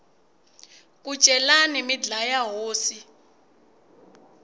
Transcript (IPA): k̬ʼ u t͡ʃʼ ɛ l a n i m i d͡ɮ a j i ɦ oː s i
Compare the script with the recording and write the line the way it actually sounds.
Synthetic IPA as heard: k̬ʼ u t͡ʃʼ ɛ l a n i m i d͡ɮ a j a ɦ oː s i